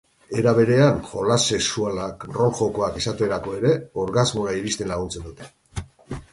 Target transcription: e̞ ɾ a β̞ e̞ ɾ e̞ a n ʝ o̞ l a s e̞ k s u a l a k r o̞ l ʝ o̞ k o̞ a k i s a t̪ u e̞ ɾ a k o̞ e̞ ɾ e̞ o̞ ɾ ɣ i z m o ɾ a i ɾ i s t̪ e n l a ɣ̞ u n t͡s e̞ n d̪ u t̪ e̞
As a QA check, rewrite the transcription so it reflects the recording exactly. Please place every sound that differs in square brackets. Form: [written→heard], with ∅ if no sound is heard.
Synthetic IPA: e̞ ɾ a β̞ e̞ ɾ e̞ a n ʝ o̞ l a s e̞ k s u a l a k r o̞ l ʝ o̞ k o̞ a k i s a t̪ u e̞ ɾ a k o̞ e̞ ɾ e̞ o̞ ɾ ɣ [i→a] z m o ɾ a i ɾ i s t̪ e n l a ɣ̞ u n t͡s e̞ n d̪ u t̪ e̞